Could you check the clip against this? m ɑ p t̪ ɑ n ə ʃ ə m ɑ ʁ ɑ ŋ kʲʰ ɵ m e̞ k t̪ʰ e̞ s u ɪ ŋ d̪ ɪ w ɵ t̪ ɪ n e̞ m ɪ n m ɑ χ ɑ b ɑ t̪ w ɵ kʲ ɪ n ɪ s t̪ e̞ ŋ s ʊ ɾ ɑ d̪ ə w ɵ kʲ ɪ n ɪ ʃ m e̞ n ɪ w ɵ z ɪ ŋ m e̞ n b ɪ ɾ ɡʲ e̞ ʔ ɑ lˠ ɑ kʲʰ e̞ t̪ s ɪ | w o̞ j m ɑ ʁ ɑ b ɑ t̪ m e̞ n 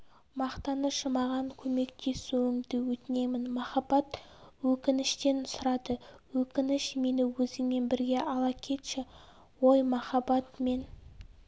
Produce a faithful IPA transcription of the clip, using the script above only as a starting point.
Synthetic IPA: m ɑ q t̪ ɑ n ə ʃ ə m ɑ ʁ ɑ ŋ kʲʰ ɵ m e̞ k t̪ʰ e̞ s u ɪ ŋ d̪ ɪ w ɵ t̪ ɪ n e̞ m ɪ n m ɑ χ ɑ b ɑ t̪ w ɵ kʲ ɪ n ɪ ʃ t̪ e̞ n s ʊ ɾ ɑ d̪ ə w ɵ kʲ ɪ n ɪ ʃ m e̞ n ɪ w ɵ z ɪ ŋ m e̞ n b ɪ ɾ ɡʲ e̞ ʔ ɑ lˠ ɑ kʲʰ e̞ t̪ ʃ ɪ | w o̞ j m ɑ χ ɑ b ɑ t̪ m e̞ n